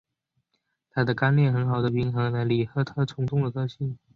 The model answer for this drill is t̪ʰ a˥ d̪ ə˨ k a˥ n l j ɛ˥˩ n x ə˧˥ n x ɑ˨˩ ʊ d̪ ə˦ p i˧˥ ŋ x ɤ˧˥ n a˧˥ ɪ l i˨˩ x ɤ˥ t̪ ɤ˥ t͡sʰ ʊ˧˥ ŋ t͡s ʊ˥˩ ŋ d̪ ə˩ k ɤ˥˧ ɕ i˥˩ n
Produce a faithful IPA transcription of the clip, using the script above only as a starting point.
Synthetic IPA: t̪ʰ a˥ d̪ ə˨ k a˥ n l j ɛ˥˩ n x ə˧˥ n x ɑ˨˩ ʊ d̪ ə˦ p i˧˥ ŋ x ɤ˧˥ n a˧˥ ɪ l i˨˩ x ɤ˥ t̪ʰ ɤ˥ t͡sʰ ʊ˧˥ ŋ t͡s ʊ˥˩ ŋ d̪ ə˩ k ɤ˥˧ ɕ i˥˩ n